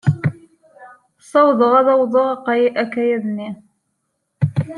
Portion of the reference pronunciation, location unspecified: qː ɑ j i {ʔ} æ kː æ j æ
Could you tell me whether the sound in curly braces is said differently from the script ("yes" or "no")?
no